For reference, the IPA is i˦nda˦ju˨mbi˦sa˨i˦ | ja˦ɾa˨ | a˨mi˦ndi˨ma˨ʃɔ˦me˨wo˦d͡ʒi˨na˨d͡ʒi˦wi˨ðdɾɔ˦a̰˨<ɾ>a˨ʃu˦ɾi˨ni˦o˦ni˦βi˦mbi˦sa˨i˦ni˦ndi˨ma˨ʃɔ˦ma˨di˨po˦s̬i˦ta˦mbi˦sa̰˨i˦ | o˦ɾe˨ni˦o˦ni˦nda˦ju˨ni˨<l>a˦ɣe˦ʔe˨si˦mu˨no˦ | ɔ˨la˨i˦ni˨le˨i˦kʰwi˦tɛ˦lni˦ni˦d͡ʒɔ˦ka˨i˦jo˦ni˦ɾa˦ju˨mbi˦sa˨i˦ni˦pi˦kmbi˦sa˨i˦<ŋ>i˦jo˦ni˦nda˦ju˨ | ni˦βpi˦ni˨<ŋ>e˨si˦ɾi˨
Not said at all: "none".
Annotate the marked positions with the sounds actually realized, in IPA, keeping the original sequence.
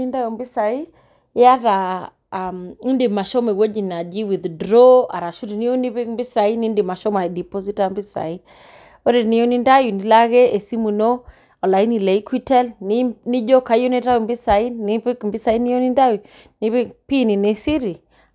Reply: ɾ, l, n, n

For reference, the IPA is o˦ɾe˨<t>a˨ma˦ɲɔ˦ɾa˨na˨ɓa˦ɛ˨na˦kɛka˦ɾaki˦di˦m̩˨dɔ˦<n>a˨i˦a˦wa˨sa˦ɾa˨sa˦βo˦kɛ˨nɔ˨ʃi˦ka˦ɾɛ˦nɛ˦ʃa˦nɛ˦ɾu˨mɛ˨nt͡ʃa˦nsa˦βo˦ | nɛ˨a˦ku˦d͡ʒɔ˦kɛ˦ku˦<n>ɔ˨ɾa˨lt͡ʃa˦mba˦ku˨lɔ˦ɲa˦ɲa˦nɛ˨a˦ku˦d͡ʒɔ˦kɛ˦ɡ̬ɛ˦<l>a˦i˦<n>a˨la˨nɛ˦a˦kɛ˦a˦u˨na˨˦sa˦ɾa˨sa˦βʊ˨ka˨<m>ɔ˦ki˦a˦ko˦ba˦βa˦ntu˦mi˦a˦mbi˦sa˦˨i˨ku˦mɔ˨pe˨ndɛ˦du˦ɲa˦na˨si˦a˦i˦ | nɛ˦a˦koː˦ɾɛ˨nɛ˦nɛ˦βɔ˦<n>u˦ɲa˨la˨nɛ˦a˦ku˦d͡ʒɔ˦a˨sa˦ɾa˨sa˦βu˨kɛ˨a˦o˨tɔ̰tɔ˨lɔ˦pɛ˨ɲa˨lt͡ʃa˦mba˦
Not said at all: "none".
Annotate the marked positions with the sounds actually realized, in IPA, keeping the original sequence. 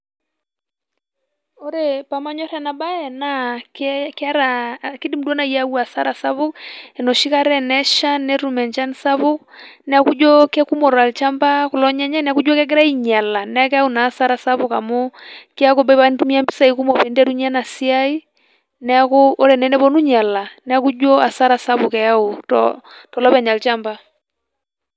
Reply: p, n, m, ɾ, ɲ, m, n

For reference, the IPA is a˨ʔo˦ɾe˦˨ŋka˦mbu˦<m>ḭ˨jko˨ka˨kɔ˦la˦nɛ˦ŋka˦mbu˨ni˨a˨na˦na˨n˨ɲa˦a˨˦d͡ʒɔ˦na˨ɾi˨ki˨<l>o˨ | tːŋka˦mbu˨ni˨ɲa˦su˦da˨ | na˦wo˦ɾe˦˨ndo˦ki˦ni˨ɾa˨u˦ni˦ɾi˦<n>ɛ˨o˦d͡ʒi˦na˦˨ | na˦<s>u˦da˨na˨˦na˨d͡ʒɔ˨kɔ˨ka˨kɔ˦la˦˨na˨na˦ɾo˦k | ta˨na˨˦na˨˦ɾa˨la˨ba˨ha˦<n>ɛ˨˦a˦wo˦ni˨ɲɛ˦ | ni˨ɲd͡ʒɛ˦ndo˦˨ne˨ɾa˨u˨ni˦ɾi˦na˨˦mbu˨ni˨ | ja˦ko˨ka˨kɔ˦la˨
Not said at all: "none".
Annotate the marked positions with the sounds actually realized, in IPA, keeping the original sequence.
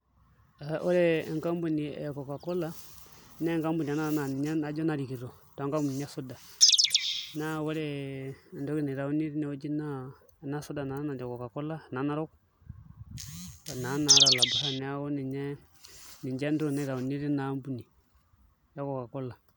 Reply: n, ɾ, n, s, n

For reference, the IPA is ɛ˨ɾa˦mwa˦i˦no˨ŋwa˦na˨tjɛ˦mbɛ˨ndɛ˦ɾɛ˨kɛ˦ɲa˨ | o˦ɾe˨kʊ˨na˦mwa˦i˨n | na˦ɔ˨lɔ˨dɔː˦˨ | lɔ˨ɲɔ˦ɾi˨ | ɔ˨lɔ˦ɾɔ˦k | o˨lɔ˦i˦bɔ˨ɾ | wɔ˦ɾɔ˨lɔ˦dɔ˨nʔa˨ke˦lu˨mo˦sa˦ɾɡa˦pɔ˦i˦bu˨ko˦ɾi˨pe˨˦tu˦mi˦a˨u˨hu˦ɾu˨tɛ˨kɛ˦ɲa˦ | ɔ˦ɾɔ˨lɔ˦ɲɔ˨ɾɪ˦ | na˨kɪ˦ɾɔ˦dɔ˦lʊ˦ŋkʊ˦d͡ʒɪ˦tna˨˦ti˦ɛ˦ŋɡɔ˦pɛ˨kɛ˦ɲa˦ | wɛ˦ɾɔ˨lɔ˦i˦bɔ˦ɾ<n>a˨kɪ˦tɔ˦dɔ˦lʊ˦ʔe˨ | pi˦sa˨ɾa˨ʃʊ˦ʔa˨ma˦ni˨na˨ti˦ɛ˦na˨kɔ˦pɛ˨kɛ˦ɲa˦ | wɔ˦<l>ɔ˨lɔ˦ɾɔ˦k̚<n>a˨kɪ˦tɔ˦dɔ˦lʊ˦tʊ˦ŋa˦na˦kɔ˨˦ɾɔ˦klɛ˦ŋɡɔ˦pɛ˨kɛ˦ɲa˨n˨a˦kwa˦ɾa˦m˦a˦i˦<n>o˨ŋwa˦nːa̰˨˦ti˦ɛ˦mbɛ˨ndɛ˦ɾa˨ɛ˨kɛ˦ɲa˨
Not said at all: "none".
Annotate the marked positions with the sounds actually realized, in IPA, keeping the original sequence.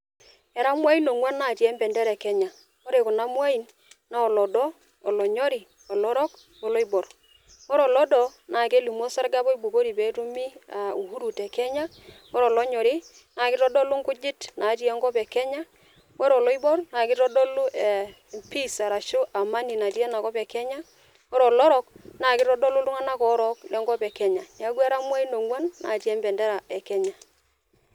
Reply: n, ɾ, n, n

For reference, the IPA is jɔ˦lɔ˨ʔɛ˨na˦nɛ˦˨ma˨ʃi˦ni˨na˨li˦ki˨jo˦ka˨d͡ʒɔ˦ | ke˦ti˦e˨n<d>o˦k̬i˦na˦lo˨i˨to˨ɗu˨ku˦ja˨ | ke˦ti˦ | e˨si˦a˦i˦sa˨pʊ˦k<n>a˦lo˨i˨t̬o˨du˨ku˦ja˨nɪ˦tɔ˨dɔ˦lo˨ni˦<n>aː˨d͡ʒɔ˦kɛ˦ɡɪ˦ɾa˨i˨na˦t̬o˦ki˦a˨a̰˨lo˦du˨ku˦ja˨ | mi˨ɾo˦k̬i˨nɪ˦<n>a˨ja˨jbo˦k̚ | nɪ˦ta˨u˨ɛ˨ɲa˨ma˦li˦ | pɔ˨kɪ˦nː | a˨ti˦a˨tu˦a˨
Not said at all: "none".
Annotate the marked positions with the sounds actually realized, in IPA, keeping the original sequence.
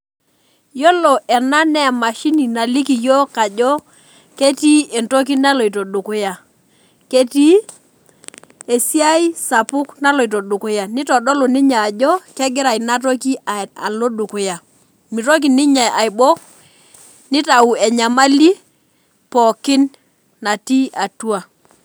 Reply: t, n, ɲ, ɲ

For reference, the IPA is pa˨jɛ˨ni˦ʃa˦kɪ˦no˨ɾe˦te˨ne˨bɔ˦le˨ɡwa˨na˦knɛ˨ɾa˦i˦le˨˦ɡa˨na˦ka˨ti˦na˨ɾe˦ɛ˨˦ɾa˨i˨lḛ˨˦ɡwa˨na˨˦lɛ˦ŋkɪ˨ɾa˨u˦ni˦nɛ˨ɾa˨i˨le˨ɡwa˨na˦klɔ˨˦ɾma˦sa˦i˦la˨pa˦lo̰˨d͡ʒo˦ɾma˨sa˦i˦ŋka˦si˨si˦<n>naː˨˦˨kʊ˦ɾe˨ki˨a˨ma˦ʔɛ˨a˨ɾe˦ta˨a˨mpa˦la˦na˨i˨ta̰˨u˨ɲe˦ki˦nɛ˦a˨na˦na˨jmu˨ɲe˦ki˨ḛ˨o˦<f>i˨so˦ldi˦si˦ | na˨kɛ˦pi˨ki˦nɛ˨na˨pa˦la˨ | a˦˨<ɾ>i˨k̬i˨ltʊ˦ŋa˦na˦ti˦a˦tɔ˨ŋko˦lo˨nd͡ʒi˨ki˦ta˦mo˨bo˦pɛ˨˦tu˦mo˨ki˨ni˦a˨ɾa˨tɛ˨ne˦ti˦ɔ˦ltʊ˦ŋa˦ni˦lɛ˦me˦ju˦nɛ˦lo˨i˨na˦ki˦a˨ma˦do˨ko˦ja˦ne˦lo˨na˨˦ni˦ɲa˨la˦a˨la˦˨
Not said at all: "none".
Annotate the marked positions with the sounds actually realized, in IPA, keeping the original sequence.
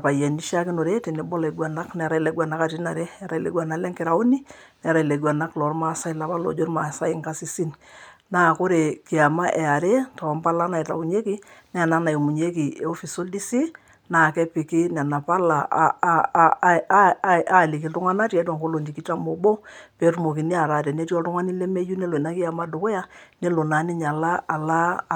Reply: n, f, l

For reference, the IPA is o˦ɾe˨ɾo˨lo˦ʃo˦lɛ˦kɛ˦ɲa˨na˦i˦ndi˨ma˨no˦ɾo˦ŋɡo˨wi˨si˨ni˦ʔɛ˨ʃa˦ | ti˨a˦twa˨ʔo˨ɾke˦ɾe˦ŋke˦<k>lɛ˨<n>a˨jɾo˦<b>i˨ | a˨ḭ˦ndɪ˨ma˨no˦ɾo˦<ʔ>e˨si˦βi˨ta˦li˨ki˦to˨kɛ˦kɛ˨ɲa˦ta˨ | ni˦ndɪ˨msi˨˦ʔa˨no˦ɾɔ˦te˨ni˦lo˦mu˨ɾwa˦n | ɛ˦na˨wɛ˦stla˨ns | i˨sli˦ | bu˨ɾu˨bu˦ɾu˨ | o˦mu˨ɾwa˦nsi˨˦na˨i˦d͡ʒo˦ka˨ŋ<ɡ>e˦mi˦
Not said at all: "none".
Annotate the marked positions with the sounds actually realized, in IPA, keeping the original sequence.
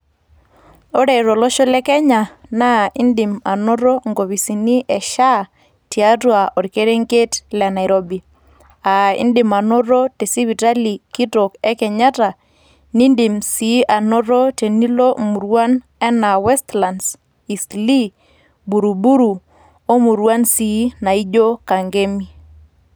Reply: t, n, b, t, ɡ

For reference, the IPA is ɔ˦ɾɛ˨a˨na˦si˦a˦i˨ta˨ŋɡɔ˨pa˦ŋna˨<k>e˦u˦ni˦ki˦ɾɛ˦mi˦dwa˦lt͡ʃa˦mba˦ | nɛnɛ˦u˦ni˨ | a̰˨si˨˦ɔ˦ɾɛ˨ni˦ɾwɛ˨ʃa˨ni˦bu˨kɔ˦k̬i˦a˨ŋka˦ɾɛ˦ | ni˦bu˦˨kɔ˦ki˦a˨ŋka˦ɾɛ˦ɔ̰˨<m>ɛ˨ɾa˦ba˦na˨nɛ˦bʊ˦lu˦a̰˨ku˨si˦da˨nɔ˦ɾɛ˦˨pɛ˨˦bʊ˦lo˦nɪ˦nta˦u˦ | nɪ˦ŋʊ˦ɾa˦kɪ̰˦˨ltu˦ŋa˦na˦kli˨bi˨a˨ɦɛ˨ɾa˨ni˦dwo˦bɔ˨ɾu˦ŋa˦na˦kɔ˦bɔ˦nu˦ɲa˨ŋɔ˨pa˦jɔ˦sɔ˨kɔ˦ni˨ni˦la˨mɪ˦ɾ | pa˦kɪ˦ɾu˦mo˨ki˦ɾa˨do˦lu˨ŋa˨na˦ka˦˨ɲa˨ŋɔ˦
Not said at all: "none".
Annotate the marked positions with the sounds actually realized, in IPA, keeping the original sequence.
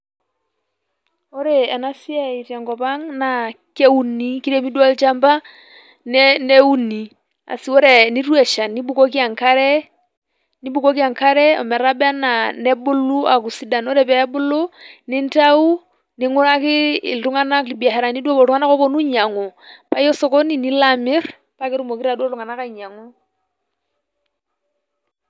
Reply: k, m

